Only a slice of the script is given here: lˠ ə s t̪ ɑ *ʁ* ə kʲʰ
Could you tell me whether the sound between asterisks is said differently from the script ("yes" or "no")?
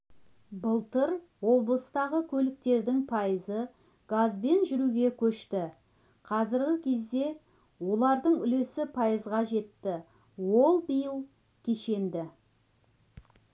no